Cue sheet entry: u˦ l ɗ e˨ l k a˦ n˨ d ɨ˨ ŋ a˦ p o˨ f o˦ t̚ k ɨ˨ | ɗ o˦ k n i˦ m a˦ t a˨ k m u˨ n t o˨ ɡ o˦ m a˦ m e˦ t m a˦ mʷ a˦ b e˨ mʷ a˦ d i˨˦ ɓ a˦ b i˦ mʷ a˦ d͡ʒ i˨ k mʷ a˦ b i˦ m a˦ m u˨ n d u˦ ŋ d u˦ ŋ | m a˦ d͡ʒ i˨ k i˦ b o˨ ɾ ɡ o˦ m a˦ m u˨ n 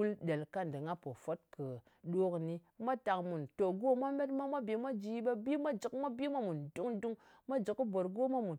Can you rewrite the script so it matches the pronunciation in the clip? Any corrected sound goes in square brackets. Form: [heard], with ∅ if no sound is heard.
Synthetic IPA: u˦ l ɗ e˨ l k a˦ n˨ d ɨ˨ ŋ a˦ p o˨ f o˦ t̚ k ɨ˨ | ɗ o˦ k n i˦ m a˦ t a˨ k m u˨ n t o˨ ɡ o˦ m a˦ m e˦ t m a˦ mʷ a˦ b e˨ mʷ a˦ [d͡ʒ] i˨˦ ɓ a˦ b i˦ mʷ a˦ d͡ʒ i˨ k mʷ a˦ b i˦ m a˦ m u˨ n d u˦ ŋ d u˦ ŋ | m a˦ d͡ʒ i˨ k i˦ b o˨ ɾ ɡ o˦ m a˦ m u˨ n